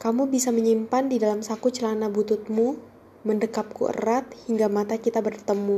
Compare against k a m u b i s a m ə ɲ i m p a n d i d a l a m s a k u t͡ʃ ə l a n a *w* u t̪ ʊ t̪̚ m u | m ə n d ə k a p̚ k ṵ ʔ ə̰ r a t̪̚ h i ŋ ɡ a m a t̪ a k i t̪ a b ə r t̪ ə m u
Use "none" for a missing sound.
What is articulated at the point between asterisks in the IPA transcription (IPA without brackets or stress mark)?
b